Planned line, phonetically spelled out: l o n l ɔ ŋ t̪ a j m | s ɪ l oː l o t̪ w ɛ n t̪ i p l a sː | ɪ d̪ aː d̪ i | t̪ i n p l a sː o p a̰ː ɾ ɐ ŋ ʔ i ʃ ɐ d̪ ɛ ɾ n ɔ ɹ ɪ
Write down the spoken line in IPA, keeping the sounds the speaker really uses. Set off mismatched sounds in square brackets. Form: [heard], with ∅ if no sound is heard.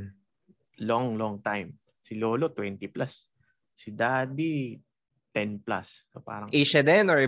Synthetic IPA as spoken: l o [ŋ] l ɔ ŋ t̪ a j m | s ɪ l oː l o t̪ w ɛ n t̪ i p l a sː | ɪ d̪ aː d̪ i | t̪ [ɛ] n p l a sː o p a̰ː ɾ ɐ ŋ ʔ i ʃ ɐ d̪ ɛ [∅] n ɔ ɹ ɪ